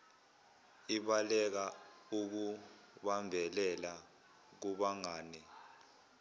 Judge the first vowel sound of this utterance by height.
high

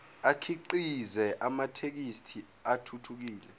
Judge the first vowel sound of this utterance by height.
low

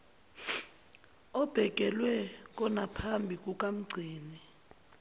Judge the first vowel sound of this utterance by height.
mid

